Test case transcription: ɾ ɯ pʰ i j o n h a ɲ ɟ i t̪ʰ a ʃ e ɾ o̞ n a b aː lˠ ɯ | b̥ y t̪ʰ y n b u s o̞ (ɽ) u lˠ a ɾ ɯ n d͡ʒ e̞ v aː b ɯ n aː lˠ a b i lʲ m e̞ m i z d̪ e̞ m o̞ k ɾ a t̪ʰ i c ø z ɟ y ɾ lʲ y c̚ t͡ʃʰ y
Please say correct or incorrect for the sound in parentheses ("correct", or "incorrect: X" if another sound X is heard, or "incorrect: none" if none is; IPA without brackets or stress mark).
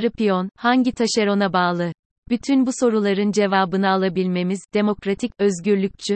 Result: incorrect: ɾ